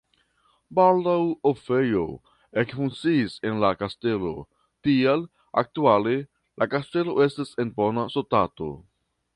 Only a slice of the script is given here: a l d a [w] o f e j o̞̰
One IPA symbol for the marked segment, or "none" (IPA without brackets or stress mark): w